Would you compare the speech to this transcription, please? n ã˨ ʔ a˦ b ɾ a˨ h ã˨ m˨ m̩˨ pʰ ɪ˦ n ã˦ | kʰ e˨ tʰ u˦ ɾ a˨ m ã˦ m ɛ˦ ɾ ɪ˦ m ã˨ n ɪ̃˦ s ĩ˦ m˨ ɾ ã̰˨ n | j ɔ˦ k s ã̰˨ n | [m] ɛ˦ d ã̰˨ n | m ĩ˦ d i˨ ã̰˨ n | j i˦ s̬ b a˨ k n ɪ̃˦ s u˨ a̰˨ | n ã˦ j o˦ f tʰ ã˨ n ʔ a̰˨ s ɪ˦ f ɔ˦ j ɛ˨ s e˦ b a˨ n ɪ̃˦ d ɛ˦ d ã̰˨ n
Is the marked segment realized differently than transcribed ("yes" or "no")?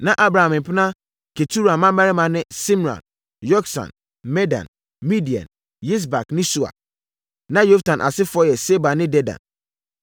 no